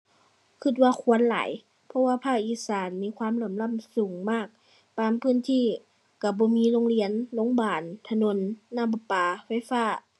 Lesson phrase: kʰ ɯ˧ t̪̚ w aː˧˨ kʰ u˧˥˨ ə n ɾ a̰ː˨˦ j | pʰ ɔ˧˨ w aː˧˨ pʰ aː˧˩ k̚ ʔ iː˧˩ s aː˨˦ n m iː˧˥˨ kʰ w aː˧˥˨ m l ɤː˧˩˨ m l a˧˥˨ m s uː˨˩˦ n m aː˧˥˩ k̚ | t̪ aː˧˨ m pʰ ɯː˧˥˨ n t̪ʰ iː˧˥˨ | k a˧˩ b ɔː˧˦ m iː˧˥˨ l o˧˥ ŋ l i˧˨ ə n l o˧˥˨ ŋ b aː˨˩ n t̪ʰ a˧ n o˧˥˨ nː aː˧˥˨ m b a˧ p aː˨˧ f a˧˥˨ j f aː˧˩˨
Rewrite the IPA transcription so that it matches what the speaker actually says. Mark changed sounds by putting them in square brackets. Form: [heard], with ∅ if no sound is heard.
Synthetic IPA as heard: kʰ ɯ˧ t̪̚ w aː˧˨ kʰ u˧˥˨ ə n [l] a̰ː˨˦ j | pʰ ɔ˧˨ w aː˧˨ pʰ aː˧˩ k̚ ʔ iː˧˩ s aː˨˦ n m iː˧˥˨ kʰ w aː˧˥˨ m l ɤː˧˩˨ m l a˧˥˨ m s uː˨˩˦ [ŋ] m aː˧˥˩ k̚ | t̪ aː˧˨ m pʰ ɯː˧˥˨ n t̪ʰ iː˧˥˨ | k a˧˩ b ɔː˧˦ m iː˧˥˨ l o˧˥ ŋ l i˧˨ ə n l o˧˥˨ ŋ b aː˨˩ n t̪ʰ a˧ n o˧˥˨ nː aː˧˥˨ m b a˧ p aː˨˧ f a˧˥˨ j f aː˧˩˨